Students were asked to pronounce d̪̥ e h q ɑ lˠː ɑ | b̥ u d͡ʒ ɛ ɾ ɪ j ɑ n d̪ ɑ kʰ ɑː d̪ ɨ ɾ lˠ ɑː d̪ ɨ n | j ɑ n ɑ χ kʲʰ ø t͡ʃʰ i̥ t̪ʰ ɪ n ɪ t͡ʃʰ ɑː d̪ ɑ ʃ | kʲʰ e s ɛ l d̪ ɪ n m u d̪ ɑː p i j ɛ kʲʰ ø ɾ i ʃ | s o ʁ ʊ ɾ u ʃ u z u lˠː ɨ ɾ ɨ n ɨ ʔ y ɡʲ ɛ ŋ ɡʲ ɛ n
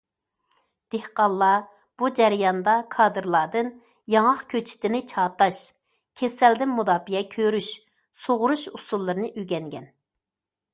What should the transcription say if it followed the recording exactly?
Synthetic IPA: d̪̥ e h q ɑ lˠː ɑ | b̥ u d͡ʒ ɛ ɾ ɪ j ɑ n d̪ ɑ kʰ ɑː d̪ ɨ ɾ lˠ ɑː d̪ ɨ n | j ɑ ŋ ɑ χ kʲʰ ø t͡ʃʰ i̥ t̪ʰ ɪ n ɪ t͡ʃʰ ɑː t̪ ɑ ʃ | kʲʰ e s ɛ l d̪ ɪ n m u d̪ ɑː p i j ɛ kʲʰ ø ɾ y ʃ | s o ʁ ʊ ɾ u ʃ u s u lˠː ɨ ɾ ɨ n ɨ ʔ y ɡʲ ɛ ŋ ɡʲ ɛ n